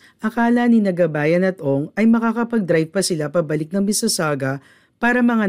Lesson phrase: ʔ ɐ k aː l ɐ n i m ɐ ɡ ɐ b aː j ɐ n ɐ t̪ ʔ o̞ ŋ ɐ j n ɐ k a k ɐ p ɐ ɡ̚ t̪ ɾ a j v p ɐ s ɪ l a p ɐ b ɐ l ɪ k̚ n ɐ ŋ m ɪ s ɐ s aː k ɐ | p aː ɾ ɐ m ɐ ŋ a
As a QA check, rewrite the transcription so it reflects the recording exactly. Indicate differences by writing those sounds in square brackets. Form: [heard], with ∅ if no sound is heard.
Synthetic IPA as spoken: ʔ ɐ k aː l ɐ n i [n] ɐ ɡ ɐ b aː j ɐ n ɐ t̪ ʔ o̞ ŋ ɐ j [m] ɐ k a k ɐ p ɐ ɡ̚ [d̪] ɾ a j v p ɐ s ɪ l a p ɐ b ɐ l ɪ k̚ n ɐ ŋ m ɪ s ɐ s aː [ɡ] ɐ | p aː ɾ ɐ m ɐ ŋ a